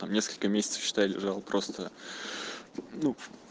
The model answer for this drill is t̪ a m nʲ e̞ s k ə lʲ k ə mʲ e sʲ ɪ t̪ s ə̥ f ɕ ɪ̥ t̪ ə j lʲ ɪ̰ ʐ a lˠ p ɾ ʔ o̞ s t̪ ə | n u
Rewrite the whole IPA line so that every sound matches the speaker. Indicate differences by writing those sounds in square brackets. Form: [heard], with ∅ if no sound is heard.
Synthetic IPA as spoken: t̪ a m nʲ e̞ s k ə lʲ k ə mʲ e sʲ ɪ t̪ s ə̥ f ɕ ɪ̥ t̪ [a] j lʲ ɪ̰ ʐ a lˠ p ɾ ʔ o̞ s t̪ ə | n u